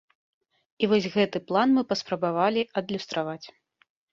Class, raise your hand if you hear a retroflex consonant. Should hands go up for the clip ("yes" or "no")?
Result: no